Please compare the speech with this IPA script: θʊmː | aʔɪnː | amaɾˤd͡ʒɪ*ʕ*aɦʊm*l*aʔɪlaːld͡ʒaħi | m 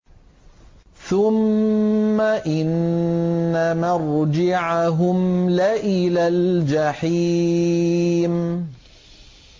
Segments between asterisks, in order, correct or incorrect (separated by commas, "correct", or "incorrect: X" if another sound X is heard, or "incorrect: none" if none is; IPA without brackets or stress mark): correct, correct